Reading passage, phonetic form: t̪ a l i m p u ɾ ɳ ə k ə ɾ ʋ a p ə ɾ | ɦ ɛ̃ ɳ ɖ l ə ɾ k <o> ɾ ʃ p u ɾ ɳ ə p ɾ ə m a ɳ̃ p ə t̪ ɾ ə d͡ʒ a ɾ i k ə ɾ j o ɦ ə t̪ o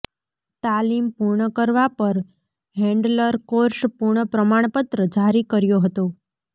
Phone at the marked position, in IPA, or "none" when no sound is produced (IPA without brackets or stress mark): o